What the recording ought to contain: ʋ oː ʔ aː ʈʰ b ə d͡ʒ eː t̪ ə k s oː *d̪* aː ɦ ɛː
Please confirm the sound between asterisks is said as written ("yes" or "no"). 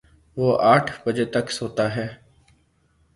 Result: no